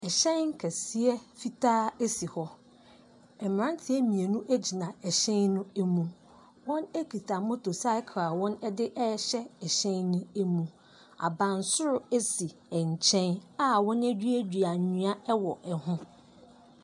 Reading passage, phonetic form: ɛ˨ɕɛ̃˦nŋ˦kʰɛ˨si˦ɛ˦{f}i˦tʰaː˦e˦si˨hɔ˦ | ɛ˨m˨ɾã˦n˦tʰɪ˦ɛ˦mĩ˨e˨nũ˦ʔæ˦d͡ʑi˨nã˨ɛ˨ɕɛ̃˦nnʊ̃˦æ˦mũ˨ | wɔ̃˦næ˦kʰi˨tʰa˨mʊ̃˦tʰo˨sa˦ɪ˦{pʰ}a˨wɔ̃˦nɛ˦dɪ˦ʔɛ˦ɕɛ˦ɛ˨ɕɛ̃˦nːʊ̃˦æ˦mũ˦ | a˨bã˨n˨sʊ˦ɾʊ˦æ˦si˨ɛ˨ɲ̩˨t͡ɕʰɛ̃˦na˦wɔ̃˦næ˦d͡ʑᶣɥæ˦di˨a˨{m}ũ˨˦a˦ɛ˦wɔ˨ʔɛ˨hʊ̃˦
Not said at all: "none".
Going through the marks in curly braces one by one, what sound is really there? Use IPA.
f, kʰ, ɲ

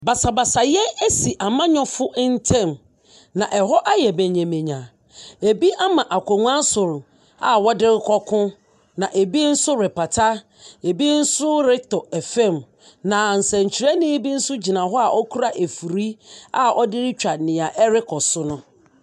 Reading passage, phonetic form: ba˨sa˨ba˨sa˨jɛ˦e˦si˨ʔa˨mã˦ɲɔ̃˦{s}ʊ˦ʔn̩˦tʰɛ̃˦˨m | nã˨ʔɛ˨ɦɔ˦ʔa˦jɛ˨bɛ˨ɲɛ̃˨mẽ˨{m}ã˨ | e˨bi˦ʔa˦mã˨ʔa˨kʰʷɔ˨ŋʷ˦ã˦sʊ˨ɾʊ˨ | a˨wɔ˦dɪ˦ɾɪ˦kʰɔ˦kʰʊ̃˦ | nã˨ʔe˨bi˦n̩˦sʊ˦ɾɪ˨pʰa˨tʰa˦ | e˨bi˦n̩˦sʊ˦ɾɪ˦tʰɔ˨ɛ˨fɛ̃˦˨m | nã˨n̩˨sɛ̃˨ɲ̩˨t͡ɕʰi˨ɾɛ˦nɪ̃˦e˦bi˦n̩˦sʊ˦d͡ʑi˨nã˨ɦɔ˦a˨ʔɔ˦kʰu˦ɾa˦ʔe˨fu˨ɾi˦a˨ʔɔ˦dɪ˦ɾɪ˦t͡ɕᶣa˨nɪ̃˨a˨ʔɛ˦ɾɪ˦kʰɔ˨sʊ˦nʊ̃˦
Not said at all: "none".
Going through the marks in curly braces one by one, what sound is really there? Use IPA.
f, ɲ

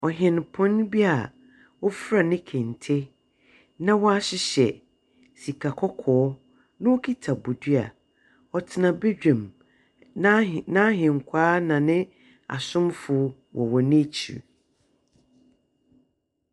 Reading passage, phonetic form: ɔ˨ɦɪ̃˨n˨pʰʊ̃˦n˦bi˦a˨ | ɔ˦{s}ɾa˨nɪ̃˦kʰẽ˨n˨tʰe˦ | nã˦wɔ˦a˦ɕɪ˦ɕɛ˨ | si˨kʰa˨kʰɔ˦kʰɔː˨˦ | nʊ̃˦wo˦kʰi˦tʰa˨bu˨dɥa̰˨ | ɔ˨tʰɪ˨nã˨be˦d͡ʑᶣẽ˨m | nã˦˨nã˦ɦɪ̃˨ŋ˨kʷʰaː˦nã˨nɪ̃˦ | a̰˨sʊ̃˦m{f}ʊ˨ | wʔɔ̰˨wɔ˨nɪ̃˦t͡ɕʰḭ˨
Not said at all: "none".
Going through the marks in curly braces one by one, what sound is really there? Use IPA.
f, f

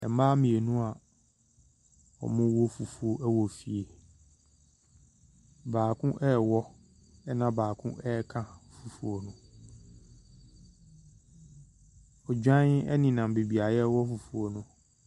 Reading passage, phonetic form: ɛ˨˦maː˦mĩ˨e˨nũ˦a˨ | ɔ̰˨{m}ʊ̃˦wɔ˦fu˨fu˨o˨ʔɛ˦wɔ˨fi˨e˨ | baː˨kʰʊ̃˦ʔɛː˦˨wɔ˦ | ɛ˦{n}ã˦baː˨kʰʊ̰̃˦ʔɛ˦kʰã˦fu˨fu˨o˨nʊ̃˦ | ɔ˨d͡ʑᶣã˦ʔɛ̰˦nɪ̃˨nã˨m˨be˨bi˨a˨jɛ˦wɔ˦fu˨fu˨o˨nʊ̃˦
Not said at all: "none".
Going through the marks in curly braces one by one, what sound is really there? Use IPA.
m, n

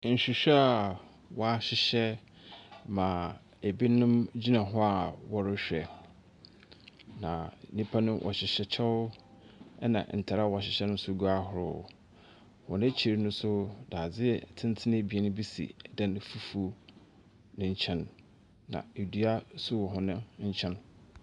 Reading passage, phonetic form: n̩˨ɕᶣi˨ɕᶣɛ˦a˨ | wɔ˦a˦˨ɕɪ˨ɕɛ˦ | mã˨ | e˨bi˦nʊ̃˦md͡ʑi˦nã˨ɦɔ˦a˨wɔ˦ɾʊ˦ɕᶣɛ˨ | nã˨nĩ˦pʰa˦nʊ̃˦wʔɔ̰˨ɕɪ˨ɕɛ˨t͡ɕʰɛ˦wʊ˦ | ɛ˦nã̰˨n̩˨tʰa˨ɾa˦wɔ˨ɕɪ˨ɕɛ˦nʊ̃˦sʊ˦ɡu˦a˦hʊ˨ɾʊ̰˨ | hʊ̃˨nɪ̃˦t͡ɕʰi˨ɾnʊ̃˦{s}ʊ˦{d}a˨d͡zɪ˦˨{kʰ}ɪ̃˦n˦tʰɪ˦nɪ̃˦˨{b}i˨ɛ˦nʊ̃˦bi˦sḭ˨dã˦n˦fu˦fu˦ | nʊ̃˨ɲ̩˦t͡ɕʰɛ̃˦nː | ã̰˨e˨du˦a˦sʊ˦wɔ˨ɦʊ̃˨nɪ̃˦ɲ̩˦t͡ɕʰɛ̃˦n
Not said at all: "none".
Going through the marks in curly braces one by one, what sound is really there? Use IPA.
s, d, tʰ, b

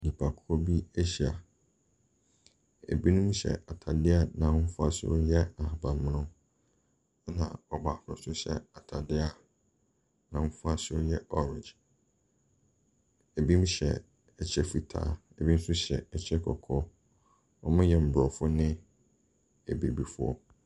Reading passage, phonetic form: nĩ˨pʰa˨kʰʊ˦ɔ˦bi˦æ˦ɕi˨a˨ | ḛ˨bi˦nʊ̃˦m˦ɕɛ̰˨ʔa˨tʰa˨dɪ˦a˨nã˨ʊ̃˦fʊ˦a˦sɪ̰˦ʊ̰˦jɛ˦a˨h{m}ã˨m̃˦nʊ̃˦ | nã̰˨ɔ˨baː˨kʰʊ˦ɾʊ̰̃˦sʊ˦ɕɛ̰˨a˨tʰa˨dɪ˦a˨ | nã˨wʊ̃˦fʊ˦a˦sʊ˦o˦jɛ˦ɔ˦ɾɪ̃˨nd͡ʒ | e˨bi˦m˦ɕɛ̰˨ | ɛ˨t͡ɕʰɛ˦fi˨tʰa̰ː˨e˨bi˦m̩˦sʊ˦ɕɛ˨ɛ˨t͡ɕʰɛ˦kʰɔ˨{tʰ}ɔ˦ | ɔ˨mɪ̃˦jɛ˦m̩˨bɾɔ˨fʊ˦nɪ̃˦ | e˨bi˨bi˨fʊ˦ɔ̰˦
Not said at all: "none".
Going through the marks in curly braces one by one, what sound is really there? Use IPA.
b, kʰ

